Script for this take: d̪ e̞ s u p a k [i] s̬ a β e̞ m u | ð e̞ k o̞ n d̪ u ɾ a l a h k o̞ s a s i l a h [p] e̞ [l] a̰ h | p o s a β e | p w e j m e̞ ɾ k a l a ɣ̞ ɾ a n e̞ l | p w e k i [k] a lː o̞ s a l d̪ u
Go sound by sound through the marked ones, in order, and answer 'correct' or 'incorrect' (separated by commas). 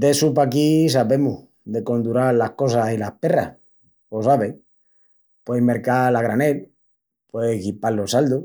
correct, correct, incorrect, incorrect